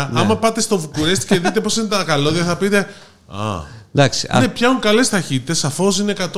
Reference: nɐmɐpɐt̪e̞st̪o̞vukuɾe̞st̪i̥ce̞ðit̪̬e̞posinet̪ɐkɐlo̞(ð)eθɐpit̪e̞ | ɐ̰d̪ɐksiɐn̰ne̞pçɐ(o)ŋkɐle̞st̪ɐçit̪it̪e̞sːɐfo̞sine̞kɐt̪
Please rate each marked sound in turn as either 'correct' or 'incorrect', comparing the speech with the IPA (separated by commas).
correct, incorrect